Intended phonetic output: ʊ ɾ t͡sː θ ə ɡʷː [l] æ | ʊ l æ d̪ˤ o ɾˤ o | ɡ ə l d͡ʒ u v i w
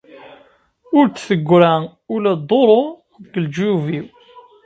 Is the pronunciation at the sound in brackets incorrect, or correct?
incorrect